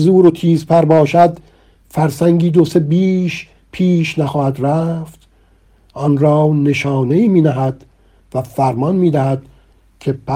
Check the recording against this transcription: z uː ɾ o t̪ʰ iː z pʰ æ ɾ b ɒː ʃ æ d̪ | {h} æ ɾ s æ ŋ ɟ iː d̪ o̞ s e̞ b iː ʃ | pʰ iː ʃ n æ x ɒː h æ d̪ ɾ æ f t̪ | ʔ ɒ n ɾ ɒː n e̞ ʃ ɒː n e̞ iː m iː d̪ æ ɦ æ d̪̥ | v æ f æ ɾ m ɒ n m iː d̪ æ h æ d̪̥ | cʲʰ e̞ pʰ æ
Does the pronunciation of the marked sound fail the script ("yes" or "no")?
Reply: yes